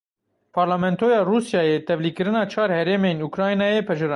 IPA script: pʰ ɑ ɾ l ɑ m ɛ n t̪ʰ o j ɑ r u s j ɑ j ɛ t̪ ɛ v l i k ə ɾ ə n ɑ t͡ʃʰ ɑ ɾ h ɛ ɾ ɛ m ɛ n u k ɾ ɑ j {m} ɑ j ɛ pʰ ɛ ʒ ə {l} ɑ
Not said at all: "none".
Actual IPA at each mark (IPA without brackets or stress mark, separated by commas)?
n, ɾ